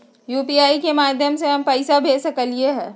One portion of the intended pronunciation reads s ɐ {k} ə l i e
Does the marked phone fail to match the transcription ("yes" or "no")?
no